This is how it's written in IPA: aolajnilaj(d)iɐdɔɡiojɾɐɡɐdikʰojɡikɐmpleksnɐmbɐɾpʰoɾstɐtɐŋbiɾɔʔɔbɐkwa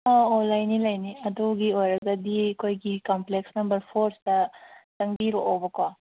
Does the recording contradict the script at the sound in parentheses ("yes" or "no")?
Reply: yes